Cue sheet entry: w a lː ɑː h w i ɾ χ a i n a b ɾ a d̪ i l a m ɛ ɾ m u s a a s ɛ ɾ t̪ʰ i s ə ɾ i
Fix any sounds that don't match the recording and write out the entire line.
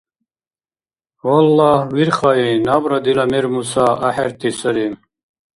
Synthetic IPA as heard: w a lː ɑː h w i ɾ χ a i n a b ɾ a d̪ i l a m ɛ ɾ m u s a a ħ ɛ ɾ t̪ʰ i s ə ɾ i